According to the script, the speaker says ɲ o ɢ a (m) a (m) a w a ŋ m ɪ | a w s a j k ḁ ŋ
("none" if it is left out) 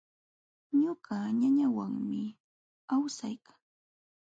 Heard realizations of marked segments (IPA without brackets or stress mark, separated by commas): ɲ, ɲ